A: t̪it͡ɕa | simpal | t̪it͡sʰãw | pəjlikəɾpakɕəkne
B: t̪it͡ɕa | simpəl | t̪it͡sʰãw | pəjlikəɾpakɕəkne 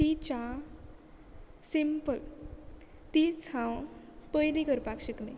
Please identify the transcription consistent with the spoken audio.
B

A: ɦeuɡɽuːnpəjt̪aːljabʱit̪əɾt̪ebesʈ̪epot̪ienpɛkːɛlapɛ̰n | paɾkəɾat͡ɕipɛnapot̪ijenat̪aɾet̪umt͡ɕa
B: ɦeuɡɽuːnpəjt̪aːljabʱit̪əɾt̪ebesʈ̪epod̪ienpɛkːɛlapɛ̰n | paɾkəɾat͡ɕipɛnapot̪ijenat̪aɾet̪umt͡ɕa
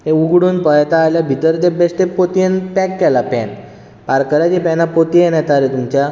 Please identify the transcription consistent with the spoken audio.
A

